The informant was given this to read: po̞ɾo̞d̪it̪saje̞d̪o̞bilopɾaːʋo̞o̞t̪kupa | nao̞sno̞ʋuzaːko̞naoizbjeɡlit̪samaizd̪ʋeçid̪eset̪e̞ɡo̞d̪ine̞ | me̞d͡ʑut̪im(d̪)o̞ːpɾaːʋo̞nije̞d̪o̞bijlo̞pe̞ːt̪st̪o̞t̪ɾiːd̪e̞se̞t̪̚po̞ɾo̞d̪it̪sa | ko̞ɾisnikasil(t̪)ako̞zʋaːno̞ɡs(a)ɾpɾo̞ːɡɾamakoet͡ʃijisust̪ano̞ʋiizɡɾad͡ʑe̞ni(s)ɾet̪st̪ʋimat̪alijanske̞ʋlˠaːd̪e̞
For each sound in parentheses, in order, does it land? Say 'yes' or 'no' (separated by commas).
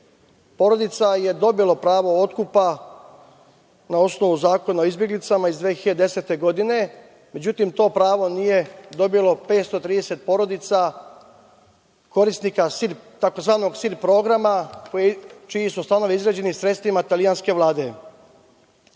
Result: no, yes, no, yes